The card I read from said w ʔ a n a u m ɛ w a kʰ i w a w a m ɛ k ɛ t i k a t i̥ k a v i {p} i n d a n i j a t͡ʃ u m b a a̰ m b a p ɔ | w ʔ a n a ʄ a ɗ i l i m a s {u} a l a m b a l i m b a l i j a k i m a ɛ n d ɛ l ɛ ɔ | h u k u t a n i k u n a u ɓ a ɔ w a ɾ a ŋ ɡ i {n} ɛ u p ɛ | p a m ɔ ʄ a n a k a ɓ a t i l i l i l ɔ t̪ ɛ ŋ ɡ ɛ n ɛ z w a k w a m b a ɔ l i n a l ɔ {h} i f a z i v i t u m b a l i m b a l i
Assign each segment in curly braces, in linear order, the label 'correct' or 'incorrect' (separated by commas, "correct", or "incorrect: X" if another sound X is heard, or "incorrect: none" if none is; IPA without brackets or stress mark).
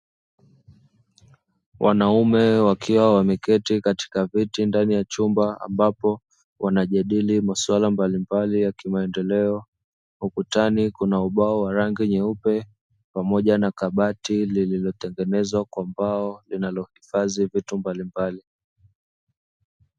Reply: incorrect: t, incorrect: w, incorrect: ɲ, correct